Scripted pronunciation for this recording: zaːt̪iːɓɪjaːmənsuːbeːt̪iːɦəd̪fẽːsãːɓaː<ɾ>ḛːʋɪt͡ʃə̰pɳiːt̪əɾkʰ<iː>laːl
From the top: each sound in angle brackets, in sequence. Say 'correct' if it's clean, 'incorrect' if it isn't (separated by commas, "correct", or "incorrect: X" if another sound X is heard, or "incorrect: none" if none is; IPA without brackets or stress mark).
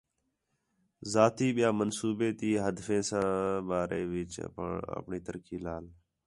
correct, correct